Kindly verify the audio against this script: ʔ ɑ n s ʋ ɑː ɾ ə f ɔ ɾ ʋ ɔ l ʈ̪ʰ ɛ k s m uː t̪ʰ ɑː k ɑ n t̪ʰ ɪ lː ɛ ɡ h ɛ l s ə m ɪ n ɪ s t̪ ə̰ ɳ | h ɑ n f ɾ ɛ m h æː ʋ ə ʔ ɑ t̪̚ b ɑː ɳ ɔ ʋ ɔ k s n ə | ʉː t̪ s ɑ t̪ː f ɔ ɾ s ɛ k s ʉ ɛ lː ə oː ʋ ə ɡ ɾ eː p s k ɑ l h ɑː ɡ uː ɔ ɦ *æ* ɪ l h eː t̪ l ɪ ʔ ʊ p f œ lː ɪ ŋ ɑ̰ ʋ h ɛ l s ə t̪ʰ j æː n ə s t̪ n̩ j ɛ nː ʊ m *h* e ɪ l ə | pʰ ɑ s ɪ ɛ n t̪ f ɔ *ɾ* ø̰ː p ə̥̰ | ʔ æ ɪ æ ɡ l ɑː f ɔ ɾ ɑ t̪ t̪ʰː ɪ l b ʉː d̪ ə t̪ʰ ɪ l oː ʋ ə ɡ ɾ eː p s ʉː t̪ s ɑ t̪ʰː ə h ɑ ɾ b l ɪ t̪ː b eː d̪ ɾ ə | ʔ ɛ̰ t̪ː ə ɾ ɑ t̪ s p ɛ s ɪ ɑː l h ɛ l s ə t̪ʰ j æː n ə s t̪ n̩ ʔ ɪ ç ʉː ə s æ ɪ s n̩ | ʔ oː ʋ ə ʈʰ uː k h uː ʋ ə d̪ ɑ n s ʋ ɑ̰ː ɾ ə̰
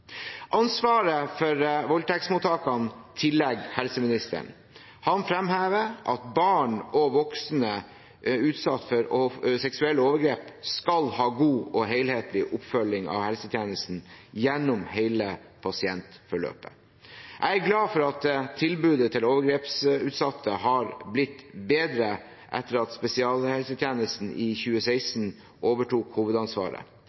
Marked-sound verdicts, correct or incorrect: incorrect, correct, incorrect

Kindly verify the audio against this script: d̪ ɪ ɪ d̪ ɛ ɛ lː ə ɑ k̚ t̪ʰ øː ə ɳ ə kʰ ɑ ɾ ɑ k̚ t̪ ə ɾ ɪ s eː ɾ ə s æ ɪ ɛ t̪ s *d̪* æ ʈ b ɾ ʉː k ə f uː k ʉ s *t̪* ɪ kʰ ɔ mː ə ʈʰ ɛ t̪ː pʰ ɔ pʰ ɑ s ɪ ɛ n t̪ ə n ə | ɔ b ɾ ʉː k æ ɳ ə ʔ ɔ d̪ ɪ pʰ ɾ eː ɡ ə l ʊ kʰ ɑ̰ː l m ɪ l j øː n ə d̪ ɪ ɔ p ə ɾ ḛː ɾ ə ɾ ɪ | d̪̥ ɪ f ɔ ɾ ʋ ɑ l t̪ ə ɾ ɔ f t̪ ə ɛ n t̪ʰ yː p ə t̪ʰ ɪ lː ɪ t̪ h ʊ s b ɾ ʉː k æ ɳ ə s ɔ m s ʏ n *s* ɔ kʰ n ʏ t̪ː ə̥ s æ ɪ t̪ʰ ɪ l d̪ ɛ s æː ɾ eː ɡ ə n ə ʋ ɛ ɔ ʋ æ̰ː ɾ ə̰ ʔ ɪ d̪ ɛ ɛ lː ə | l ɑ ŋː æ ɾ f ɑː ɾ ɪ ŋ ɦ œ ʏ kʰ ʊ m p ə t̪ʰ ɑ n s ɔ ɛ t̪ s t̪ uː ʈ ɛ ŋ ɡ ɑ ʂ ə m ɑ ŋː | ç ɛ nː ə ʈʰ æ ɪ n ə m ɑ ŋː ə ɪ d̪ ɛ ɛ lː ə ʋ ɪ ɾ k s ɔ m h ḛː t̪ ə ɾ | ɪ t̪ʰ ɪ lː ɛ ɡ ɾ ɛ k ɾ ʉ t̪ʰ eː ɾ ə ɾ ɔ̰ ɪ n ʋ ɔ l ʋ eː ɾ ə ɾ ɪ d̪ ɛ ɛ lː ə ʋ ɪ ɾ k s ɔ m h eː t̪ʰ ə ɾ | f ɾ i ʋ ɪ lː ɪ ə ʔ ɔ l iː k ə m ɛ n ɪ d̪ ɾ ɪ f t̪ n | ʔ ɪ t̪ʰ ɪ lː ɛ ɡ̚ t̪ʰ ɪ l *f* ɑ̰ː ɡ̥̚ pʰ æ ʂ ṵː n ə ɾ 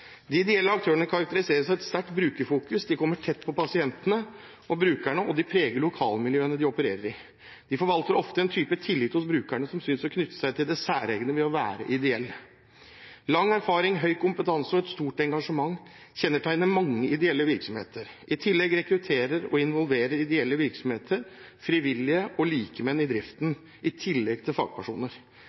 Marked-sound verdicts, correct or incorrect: incorrect, incorrect, correct, correct

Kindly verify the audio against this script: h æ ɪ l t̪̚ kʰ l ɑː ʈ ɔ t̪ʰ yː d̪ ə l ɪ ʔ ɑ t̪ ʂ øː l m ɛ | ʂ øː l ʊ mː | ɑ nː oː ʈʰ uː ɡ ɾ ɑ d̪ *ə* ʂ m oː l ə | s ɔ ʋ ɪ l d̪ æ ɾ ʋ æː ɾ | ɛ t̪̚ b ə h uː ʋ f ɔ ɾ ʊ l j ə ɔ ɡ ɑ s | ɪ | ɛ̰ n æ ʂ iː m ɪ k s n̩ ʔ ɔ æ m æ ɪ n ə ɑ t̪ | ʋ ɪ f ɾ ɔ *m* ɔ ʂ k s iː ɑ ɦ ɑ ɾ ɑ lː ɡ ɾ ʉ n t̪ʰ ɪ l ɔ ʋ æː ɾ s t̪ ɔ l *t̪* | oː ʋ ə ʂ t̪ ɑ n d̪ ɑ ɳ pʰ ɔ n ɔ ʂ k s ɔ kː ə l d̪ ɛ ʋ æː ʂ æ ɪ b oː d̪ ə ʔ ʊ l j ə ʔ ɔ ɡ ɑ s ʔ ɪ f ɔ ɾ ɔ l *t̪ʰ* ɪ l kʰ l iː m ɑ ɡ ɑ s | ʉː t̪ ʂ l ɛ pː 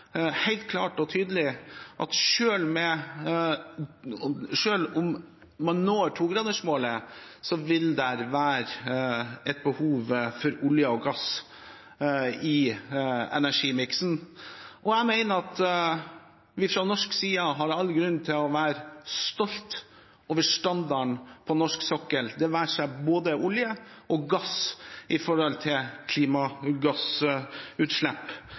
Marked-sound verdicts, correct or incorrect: correct, incorrect, correct, correct

